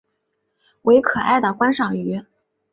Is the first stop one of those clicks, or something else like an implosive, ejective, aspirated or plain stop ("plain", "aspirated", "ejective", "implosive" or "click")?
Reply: aspirated